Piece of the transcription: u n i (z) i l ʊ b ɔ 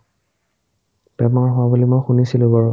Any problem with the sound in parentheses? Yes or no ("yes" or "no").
yes